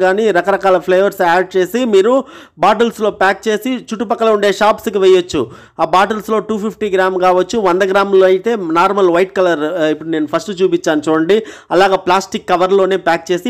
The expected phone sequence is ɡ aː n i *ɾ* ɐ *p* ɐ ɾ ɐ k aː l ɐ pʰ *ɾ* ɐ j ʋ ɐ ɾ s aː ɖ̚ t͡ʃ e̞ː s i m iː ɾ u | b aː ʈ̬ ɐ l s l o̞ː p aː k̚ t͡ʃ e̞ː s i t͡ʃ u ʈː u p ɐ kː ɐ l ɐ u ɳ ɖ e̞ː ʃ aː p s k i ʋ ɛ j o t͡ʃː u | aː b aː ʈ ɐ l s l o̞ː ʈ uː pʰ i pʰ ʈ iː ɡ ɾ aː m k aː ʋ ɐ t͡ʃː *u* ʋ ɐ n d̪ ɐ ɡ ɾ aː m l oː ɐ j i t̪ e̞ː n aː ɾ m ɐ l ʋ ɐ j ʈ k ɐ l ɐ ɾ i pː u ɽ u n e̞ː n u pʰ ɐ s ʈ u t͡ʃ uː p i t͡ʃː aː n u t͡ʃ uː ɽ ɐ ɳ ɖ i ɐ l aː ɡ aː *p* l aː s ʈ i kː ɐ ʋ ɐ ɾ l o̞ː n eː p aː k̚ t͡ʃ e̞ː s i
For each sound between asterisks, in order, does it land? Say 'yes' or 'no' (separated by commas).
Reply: yes, no, no, yes, yes